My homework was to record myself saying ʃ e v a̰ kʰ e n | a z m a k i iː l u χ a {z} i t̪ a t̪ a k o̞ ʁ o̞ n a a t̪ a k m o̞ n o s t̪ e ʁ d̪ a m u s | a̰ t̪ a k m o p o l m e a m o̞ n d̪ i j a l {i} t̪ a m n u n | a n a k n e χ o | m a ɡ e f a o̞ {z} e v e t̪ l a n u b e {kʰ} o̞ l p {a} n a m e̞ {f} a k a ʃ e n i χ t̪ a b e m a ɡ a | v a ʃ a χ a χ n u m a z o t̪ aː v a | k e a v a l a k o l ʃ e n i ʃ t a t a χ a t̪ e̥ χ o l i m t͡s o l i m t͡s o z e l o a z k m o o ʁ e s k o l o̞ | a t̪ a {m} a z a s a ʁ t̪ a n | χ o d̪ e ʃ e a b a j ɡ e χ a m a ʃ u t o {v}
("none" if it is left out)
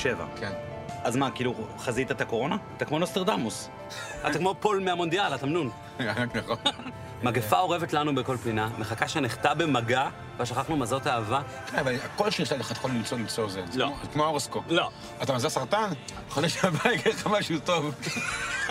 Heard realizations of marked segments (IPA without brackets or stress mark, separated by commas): z, a, ʁ, k, i, χ, m, v